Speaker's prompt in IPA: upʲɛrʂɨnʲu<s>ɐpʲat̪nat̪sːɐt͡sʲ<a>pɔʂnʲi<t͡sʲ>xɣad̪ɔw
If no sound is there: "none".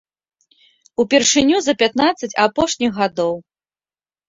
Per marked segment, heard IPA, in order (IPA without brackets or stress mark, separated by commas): z, a, none